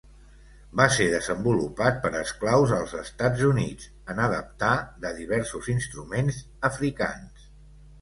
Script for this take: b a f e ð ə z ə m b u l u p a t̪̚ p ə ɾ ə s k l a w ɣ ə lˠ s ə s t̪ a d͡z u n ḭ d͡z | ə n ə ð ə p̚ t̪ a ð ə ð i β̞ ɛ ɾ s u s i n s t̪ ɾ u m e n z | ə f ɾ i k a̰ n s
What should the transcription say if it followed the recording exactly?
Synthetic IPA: b a s e ð ə z ə m b u l u p a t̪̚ p ə ɾ ə s k l a w z ə lˠ z ə s t̪ a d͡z u n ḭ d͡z | ə n ə ð ə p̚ t̪ a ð ə ð i β̞ ɛ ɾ s u z i n s t̪ ɾ u m e n z | ə f ɾ i k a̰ n s